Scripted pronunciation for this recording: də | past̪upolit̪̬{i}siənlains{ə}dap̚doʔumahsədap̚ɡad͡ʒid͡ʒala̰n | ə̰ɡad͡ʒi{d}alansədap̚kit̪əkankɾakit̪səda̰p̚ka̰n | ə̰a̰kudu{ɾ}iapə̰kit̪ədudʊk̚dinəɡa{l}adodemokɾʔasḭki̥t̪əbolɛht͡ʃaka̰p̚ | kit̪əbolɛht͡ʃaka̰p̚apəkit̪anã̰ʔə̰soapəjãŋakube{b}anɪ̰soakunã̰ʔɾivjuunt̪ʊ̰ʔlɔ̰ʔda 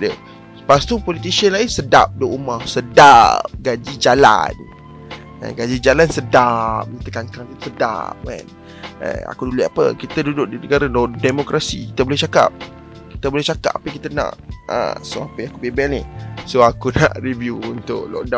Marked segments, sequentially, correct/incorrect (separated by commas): correct, correct, incorrect, incorrect, incorrect, correct